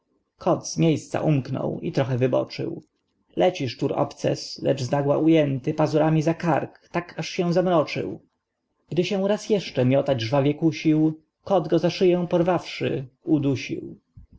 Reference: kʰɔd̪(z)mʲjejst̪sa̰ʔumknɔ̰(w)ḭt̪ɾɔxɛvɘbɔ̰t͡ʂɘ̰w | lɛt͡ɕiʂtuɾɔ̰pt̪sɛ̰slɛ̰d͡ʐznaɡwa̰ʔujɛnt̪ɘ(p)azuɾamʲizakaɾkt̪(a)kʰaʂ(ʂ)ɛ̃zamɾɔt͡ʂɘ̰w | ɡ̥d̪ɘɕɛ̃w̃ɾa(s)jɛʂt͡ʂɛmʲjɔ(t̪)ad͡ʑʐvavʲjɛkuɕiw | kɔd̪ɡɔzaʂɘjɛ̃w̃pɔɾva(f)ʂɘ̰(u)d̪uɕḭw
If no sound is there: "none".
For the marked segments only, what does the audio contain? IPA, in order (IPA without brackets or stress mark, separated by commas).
z, w, p, a, ɕ, s, t̪, f, u